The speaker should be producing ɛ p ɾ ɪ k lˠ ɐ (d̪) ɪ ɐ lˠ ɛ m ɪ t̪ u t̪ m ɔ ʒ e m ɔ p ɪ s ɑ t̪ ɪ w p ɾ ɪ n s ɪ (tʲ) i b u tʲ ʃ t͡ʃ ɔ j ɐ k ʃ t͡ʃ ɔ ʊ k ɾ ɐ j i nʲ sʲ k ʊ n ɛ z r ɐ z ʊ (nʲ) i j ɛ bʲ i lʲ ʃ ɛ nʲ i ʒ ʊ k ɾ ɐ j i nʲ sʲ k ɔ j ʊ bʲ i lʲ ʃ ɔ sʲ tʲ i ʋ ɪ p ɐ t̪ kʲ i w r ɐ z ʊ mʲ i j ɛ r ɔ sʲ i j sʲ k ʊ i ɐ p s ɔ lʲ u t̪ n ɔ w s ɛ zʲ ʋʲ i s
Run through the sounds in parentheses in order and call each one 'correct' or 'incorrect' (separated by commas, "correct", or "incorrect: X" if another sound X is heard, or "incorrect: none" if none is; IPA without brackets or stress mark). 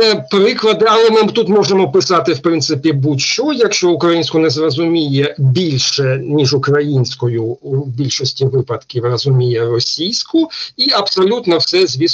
correct, incorrect: pʲ, incorrect: mʲ